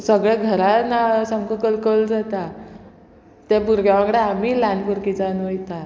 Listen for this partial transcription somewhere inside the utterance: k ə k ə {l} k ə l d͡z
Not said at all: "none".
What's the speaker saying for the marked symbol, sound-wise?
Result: l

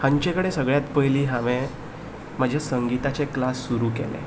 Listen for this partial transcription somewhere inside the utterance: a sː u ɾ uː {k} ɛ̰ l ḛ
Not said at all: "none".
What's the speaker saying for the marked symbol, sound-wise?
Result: k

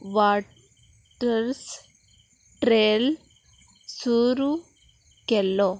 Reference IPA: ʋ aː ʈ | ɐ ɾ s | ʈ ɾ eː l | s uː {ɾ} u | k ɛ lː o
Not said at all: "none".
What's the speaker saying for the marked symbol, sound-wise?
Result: ɾ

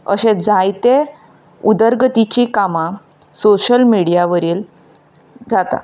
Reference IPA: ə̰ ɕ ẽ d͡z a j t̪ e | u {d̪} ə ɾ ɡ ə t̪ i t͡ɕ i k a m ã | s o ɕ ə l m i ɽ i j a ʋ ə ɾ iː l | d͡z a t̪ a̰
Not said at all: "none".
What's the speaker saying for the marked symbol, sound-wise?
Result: d̪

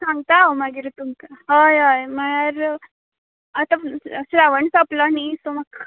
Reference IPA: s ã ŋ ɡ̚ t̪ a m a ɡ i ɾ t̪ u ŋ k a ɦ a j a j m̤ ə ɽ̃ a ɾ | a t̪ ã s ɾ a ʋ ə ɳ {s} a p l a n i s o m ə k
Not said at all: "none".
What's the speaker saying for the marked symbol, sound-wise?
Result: s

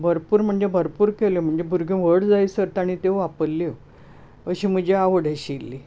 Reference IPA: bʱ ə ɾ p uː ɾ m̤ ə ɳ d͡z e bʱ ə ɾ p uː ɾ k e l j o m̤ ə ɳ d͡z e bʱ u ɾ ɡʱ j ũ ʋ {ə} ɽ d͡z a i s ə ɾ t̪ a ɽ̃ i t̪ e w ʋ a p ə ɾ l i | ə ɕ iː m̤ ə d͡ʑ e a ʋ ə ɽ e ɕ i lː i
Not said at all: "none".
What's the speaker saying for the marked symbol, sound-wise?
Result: ə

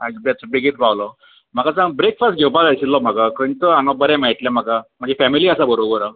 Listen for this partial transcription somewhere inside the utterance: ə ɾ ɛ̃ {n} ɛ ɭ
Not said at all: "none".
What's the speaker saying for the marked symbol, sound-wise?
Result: m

